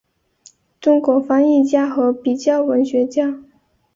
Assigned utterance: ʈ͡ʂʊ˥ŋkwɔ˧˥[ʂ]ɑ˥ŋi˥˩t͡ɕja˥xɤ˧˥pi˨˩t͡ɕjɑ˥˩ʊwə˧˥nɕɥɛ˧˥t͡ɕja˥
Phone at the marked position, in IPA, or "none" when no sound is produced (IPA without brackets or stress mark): f